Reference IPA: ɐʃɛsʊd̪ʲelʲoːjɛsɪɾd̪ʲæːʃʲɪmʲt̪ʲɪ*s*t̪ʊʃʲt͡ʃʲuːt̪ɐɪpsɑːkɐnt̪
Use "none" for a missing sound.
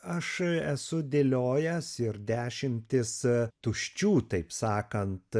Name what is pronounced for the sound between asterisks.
s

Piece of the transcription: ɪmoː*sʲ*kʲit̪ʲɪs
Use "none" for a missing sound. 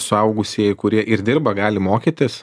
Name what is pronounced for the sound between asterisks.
none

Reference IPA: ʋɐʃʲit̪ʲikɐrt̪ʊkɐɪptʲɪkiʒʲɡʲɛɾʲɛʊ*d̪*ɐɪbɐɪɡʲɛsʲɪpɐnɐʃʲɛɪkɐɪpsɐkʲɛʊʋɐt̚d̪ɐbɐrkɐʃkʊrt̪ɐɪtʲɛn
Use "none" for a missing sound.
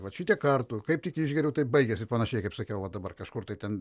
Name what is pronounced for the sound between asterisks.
t̪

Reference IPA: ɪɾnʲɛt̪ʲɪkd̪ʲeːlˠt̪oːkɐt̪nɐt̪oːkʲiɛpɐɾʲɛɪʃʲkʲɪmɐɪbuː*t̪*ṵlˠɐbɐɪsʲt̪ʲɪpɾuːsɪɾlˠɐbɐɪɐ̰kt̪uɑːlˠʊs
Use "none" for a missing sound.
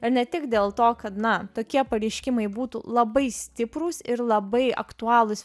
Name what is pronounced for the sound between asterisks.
t̪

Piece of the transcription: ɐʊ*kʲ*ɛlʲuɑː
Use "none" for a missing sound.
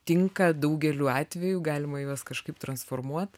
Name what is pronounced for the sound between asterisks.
ɡʲ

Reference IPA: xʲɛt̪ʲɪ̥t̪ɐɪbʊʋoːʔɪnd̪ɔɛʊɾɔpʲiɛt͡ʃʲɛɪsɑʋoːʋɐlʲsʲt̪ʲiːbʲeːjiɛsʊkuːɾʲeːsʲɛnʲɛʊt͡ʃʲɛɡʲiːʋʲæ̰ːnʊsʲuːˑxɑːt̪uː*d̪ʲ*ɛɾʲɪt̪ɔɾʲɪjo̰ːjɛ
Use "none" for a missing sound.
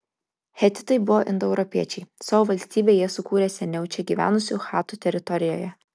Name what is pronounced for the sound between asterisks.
t̪ʲ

